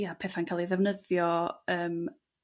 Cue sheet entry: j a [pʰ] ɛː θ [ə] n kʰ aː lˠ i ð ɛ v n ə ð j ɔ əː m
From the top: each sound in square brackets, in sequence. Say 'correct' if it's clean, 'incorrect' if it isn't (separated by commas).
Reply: correct, incorrect